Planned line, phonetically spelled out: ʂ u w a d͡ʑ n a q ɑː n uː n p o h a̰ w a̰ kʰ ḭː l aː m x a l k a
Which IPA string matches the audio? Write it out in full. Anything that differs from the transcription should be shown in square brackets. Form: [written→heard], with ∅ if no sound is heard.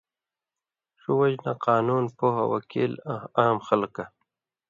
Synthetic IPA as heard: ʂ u w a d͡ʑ n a q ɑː n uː n p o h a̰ w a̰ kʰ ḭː l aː m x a l k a